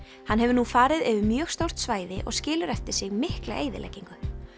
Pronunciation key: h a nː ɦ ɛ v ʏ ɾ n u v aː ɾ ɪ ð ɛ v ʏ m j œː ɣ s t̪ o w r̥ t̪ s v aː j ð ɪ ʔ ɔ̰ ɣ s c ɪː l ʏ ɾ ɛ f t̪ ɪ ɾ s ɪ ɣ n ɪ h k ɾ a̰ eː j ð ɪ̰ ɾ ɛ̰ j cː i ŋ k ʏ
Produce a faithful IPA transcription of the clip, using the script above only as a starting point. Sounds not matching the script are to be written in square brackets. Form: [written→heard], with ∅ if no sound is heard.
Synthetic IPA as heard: h a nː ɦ ɛ v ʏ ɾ n u [v→f] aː ɾ ɪ ð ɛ v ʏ m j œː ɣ s t̪ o w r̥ t̪ s v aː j ð ɪ ʔ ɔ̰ ɣ s c ɪː l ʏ ɾ ɛ f t̪ ɪ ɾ s ɪ ɣ [n→m] ɪ h k [ɾ→l] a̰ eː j ð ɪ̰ [ɾ→l] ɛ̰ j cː i ŋ k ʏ